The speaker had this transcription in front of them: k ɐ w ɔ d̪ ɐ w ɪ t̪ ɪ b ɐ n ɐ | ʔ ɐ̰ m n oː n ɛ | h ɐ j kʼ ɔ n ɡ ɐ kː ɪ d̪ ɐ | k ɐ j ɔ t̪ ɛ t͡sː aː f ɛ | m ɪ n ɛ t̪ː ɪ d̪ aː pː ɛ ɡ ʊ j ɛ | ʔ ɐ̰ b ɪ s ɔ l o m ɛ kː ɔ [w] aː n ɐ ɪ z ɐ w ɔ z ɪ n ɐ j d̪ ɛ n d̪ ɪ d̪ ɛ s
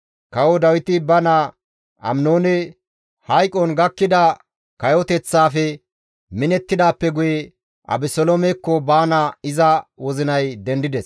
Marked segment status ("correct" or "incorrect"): incorrect